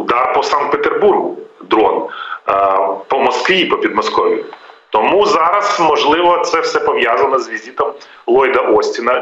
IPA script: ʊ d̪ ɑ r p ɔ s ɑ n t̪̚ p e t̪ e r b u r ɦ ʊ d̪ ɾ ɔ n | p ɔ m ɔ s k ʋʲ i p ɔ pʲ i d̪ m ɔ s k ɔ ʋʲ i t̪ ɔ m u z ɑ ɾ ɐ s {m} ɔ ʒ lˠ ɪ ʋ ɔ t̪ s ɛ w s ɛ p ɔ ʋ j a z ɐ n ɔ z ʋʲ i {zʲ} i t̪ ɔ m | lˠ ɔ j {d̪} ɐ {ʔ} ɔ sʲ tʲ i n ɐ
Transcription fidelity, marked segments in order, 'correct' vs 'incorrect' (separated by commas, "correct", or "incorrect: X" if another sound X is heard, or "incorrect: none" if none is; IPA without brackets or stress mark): correct, correct, correct, correct